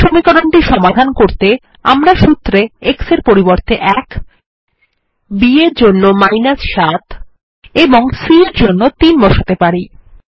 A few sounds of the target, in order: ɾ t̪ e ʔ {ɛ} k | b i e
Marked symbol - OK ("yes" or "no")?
yes